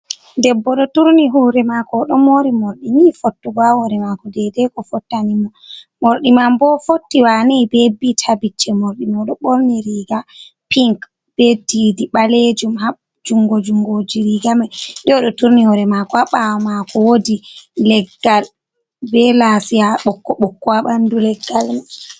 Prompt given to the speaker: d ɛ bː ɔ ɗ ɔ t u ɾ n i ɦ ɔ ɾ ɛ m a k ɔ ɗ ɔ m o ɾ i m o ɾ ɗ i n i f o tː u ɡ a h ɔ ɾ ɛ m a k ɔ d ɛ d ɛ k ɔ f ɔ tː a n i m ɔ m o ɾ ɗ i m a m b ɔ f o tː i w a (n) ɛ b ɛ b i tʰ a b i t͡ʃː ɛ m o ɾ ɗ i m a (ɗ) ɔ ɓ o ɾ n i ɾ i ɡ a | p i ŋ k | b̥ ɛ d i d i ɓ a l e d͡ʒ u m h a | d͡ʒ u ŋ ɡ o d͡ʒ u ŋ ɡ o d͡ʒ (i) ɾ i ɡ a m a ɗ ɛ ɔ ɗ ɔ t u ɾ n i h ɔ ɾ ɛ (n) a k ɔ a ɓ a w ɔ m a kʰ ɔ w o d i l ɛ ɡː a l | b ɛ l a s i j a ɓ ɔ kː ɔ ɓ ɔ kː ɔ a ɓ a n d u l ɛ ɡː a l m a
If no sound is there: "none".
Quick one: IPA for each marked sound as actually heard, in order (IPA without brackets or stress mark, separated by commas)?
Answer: n, ɗ, i, m